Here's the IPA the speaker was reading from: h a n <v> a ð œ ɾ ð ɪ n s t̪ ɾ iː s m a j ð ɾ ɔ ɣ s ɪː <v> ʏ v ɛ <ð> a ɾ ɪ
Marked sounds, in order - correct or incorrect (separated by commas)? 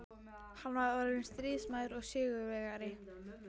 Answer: correct, incorrect, incorrect